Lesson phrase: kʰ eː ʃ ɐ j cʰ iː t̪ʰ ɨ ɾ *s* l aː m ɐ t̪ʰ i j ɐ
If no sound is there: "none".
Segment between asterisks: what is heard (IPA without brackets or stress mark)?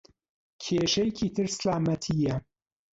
s